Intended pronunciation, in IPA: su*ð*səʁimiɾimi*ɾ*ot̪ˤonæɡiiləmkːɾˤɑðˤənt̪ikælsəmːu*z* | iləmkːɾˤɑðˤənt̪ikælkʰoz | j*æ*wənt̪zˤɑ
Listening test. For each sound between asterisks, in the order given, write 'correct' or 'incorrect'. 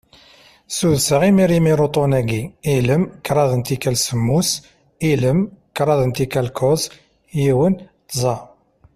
correct, correct, incorrect, incorrect

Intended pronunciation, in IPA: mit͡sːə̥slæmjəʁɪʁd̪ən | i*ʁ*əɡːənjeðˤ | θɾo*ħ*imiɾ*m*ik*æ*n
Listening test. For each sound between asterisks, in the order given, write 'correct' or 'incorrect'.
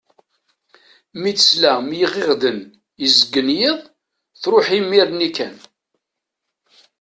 incorrect, correct, incorrect, correct

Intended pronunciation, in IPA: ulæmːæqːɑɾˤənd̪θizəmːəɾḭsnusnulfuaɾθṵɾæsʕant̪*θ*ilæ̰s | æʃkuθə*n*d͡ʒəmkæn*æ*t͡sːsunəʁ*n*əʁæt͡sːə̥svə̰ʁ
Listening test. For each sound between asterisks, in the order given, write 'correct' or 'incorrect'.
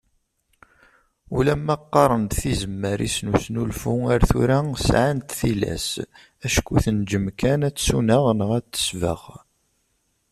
correct, correct, correct, correct

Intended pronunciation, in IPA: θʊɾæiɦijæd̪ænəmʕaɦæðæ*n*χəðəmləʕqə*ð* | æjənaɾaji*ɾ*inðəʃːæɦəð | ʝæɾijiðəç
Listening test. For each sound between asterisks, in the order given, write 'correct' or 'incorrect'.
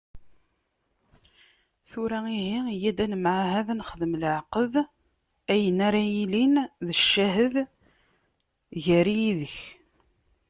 correct, correct, incorrect

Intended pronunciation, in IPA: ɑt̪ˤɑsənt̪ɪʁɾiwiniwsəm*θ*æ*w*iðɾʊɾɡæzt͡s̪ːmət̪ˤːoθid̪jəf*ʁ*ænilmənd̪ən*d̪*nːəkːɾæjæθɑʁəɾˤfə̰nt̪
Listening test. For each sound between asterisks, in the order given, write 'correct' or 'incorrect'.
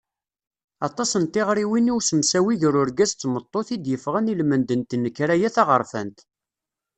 incorrect, correct, correct, incorrect

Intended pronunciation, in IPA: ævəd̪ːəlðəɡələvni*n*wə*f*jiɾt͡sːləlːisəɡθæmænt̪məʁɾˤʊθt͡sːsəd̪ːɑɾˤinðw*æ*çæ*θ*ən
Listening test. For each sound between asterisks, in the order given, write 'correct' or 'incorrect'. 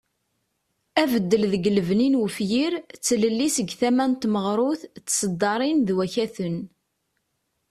correct, correct, correct, correct

